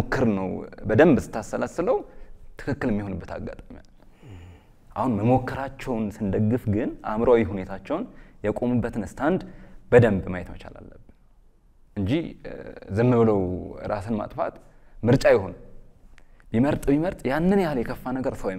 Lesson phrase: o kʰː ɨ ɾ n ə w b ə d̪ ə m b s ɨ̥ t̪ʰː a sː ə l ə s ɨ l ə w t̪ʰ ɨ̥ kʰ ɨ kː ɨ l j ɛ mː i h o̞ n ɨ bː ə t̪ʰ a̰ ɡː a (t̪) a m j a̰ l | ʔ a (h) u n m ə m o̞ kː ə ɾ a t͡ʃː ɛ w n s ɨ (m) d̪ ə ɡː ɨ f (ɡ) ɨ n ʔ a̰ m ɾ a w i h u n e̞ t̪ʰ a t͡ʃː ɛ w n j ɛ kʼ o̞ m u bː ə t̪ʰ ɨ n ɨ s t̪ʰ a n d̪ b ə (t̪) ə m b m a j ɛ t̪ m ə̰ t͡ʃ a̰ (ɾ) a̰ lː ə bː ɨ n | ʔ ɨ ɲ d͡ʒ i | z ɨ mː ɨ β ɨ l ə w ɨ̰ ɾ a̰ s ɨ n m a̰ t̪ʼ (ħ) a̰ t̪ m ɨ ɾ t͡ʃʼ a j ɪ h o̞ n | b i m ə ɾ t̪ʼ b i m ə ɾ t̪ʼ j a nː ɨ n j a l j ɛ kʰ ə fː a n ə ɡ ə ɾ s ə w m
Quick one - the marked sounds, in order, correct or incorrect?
incorrect: t̪ʼ, correct, incorrect: n, correct, incorrect: d̪, incorrect: l, incorrect: f

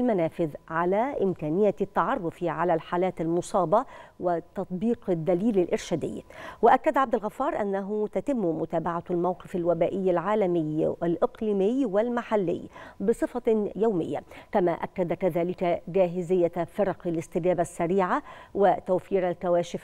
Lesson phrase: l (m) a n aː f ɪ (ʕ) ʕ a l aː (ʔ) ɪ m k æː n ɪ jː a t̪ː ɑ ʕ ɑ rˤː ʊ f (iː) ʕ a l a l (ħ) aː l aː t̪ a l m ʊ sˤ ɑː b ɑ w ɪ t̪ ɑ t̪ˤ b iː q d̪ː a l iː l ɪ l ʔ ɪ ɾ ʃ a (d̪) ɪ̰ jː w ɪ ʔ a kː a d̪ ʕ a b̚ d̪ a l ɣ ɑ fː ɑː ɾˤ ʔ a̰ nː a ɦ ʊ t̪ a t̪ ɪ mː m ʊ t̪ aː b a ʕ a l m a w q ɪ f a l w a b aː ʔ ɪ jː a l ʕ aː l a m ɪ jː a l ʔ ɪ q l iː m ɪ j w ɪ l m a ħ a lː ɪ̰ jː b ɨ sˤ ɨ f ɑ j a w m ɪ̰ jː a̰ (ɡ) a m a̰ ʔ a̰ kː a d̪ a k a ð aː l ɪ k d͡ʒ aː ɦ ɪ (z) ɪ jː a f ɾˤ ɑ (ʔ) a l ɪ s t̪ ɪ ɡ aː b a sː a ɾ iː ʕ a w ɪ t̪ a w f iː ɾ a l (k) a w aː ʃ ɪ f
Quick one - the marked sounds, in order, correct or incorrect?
correct, incorrect: ð, correct, incorrect: i, correct, correct, incorrect: k, correct, incorrect: q, correct

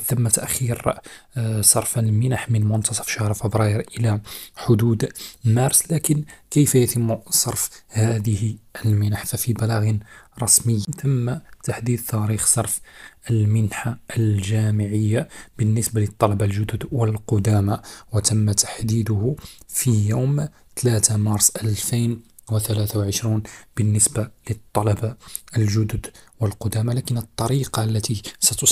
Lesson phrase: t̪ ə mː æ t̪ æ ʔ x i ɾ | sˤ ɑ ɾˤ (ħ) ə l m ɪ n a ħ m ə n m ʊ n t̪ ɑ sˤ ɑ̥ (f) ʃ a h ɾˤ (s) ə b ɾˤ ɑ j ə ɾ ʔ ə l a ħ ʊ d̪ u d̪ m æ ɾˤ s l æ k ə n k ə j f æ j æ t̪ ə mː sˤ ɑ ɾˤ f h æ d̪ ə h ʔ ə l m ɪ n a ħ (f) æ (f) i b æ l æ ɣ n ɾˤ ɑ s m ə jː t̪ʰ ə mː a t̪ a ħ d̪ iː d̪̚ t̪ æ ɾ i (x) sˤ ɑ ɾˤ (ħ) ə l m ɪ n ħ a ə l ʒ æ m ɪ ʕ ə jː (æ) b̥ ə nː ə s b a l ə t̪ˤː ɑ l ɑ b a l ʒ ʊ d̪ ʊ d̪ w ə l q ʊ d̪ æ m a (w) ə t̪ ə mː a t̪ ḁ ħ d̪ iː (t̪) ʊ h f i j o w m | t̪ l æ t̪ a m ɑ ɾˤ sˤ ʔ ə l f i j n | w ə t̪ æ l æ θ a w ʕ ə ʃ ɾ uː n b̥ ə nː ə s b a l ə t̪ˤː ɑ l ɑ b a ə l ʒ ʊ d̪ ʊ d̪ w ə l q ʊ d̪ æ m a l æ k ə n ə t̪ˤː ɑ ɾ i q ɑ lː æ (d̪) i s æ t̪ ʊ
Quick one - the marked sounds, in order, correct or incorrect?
incorrect: f, correct, incorrect: f, correct, correct, correct, incorrect: f, incorrect: a, correct, incorrect: d̪, incorrect: t̪

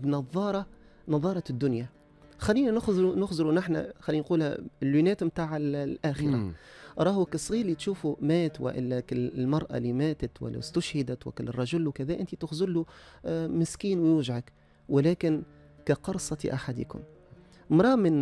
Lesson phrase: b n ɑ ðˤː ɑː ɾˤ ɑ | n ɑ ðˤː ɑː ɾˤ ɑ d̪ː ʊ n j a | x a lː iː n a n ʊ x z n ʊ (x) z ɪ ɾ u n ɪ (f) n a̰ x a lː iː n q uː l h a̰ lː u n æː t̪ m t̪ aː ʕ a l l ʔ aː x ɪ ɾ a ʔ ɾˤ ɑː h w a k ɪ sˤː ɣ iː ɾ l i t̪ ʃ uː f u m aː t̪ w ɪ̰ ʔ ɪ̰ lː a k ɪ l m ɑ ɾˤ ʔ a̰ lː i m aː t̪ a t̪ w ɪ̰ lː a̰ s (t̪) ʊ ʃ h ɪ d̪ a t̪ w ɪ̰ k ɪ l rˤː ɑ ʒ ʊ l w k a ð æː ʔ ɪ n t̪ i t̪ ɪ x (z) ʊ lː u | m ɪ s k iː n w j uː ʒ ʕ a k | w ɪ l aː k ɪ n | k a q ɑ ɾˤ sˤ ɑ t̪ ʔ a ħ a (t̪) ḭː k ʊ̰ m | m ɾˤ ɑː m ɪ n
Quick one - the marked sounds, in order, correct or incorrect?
correct, incorrect: ħ, correct, correct, incorrect: d̪

